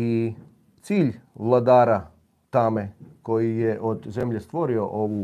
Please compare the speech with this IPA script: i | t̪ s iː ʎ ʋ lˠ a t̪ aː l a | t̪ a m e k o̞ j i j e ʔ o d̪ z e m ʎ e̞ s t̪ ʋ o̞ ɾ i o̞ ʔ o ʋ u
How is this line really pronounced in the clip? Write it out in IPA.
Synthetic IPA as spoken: i | t̪ s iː ʎ ʋ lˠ a d̪ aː ɾ a | t̪ a m e k o̞ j i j e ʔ o d̪ z e m ʎ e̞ s t̪ ʋ o̞ ɾ i o̞ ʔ o ʋ u